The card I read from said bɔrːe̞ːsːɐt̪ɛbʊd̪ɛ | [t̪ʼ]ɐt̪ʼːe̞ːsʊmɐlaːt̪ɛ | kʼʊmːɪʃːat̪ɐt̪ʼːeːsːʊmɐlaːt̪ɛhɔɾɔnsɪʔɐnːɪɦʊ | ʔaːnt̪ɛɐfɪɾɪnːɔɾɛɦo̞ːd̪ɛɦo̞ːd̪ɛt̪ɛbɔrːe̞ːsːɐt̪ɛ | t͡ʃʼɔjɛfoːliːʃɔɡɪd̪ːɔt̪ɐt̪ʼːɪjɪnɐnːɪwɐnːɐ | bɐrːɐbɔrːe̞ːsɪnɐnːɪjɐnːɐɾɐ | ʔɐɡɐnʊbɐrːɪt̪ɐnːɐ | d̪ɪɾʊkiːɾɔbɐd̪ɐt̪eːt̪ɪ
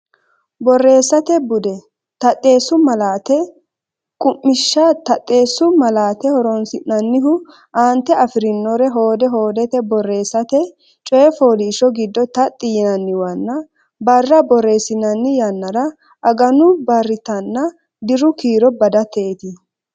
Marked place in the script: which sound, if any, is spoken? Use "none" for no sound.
t̪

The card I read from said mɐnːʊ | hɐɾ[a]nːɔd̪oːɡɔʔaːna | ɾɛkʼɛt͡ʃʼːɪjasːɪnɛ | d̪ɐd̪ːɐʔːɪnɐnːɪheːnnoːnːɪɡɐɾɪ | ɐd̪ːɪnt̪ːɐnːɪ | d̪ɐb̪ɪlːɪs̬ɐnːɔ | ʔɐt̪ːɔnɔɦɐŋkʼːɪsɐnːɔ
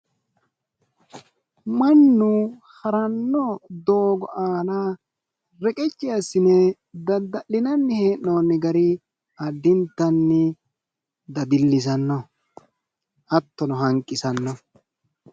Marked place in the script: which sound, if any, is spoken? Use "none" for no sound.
ɐ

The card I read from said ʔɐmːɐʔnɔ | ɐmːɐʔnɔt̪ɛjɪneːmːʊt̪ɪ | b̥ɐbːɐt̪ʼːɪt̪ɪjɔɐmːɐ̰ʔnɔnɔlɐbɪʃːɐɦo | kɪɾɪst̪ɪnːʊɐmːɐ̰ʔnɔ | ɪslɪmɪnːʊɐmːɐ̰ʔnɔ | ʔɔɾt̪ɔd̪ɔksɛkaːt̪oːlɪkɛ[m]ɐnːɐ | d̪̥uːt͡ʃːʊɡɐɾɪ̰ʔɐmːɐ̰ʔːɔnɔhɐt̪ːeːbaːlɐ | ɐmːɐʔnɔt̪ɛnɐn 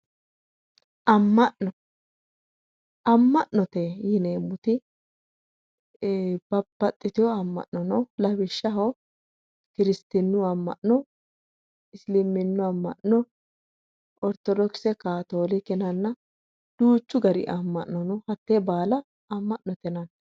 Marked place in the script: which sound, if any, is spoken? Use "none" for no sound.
n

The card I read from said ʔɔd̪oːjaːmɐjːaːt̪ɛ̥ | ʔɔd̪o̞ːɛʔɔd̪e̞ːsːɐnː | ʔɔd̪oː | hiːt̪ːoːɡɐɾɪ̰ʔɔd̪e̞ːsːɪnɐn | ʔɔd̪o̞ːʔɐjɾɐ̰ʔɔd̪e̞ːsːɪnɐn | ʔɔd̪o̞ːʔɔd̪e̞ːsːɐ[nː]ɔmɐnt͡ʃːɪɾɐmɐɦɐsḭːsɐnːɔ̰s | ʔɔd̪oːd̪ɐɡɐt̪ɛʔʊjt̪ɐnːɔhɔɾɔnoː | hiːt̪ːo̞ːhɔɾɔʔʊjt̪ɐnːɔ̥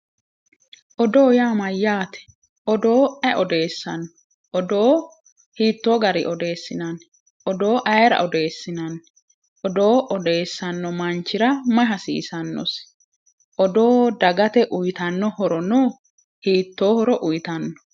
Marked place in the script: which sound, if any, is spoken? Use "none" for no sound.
nː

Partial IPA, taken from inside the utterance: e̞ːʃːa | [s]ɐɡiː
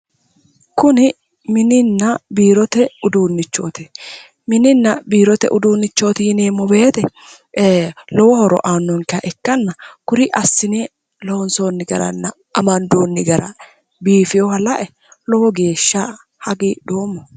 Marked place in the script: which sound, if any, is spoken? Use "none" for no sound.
h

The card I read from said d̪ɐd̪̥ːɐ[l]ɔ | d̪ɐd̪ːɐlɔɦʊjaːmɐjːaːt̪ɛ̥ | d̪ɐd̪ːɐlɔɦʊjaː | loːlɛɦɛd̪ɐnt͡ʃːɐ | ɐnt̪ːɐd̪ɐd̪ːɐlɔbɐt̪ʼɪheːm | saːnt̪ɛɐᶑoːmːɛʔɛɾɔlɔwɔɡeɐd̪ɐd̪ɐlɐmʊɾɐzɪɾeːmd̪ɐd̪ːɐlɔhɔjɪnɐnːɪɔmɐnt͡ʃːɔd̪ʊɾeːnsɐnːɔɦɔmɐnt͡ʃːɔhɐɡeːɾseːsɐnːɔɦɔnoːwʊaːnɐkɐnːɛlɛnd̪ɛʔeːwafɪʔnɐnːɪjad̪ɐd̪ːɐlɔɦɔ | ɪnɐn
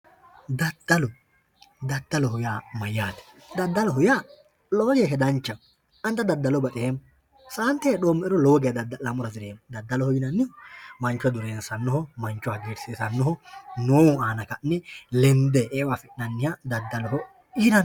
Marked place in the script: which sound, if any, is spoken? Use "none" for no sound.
l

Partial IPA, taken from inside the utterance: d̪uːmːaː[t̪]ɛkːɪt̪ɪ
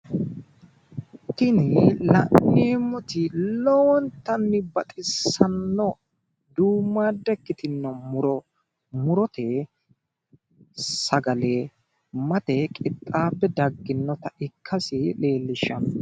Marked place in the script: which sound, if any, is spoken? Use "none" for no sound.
d̪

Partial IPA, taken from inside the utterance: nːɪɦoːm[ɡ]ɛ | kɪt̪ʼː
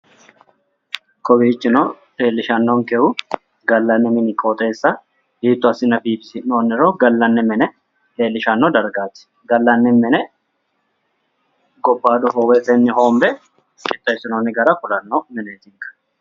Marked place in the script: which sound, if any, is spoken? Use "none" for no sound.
b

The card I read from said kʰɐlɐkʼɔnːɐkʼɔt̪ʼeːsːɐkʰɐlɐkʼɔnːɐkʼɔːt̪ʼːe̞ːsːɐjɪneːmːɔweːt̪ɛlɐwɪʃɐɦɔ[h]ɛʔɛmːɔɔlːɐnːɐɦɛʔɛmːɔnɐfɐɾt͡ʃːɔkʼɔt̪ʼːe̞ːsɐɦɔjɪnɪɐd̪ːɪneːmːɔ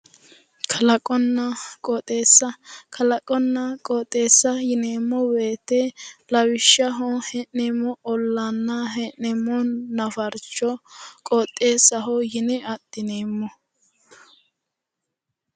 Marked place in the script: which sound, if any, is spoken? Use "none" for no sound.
h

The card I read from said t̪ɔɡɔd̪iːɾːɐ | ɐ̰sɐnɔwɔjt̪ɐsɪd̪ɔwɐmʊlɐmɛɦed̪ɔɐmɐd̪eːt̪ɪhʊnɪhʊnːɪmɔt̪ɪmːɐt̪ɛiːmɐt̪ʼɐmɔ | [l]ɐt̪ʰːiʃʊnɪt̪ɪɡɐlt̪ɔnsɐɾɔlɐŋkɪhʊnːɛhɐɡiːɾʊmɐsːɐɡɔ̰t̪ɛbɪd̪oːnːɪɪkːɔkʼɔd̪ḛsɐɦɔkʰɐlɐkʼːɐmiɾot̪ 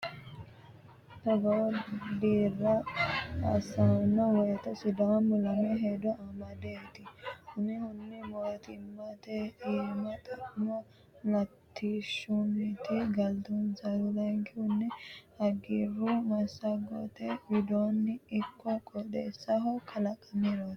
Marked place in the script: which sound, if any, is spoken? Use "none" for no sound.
l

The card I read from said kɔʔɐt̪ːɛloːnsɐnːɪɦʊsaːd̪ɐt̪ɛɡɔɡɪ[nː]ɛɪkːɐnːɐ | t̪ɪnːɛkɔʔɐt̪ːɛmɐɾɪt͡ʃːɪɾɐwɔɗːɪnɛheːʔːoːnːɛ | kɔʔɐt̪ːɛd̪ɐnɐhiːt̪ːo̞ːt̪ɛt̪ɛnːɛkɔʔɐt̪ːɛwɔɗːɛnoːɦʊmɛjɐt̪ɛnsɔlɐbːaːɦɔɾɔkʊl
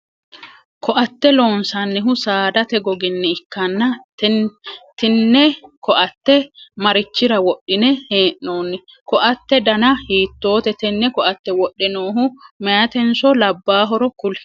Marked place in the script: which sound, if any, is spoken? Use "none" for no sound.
nː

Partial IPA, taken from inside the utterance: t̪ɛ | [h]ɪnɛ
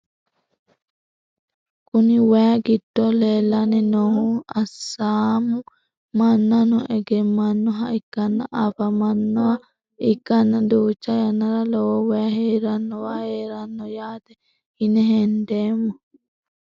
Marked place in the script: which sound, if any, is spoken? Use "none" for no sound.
h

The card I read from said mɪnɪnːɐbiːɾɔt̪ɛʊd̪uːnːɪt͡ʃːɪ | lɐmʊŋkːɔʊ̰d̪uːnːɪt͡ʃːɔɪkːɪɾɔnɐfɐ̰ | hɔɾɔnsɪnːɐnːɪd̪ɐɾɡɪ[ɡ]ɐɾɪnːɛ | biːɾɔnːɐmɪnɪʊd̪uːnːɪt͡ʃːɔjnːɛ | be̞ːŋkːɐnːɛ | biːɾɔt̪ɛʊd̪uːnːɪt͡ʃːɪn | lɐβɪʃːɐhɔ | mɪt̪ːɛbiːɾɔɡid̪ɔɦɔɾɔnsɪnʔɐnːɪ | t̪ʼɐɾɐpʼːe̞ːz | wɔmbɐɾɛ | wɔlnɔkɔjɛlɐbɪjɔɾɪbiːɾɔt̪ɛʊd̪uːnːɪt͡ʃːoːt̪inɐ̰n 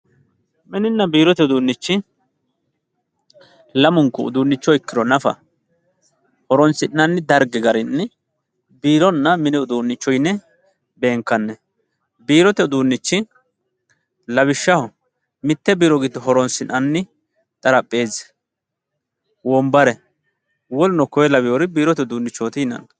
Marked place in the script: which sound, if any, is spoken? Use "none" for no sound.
ɡ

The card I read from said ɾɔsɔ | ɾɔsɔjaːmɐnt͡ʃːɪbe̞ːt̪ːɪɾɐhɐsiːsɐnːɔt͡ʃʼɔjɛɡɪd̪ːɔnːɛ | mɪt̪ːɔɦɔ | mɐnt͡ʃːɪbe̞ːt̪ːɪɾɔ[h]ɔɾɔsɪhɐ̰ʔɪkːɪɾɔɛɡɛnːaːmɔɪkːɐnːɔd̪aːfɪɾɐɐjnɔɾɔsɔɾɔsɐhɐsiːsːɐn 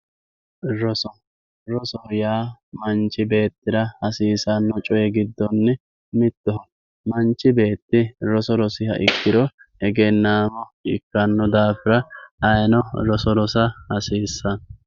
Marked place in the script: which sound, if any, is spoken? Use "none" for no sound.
s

